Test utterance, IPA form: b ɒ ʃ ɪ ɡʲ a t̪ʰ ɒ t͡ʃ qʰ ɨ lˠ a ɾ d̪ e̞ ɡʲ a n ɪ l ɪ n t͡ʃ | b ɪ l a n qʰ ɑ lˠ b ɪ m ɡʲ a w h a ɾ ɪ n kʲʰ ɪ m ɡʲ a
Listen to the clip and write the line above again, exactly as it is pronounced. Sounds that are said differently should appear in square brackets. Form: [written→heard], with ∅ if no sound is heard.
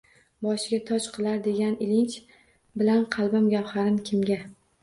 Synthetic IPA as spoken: b ɒ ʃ ɪ ɡʲ a t̪ʰ ɒ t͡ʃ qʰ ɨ lˠ a ɾ d̪ e̞ ɡʲ a n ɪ l ɪ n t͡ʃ | b ɪ l a n qʰ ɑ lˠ b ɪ m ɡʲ a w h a ɾ ɪ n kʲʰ ɪ m ɡʲ a